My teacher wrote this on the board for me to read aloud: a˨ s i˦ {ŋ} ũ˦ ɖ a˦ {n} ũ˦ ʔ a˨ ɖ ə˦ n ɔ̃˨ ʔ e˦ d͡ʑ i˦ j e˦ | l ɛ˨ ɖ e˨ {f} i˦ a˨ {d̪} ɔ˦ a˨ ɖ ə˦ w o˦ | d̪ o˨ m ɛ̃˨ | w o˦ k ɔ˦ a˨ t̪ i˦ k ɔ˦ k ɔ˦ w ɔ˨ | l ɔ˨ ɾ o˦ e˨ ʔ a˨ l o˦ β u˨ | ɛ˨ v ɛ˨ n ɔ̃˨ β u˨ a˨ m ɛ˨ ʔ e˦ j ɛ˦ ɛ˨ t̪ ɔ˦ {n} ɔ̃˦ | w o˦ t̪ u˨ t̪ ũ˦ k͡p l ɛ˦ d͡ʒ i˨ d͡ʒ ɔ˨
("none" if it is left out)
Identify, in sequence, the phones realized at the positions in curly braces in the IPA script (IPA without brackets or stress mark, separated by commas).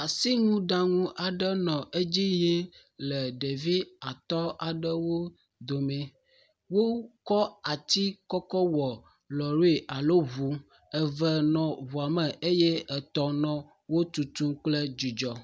ŋ, ŋ, v, t̪, n